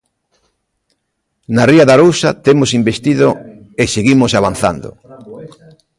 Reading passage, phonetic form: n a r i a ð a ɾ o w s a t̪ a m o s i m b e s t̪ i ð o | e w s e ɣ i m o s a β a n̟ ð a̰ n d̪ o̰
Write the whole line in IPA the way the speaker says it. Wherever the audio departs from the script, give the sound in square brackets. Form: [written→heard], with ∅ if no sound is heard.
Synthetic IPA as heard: n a r i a ð a ɾ o w s a t̪ [a→e] m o s i m b e s t̪ i ð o | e [w→∅] s e ɣ i m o s a β a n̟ [ð→θ] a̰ n d̪ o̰